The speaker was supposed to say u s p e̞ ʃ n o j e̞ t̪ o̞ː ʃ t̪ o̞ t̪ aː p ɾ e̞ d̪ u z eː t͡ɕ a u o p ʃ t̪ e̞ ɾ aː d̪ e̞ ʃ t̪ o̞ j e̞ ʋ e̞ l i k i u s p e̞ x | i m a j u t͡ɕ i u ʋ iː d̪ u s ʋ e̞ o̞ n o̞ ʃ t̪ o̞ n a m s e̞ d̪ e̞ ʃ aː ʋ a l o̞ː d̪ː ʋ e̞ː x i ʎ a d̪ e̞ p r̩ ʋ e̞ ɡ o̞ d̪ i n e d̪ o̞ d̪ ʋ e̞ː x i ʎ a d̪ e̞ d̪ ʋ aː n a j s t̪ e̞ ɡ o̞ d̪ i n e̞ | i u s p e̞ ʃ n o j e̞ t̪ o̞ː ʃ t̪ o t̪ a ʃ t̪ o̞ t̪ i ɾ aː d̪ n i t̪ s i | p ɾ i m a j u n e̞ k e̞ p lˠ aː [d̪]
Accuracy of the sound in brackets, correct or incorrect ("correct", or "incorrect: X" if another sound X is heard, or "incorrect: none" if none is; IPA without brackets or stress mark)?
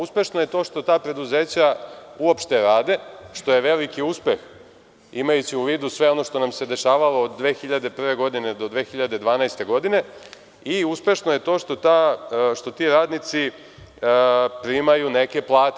incorrect: t̪